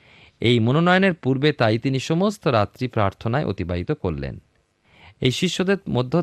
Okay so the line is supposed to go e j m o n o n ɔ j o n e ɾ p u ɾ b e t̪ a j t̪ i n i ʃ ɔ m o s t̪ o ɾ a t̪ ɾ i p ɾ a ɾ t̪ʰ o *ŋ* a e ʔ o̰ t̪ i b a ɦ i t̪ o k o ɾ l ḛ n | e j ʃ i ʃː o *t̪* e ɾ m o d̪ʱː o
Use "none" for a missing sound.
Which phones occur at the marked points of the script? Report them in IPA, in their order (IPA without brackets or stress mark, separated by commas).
n, d̪